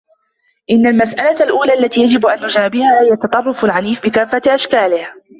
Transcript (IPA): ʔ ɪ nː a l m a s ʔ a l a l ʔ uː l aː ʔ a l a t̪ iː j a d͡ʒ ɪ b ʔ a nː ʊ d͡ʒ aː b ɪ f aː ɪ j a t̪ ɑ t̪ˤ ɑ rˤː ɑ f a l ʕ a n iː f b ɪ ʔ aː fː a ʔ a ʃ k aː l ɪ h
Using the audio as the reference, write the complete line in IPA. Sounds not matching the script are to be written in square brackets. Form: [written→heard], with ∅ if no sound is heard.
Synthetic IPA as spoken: ʔ ɪ nː a l m a s ʔ a l a l ʔ uː l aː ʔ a [l→lː] a t̪ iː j a d͡ʒ ɪ b ʔ a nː ʊ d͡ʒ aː b ɪ [f→h] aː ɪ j a t̪ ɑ t̪ˤ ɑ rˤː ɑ f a l ʕ a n iː f b ɪ [ʔ→k] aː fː a ʔ a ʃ k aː l ɪ h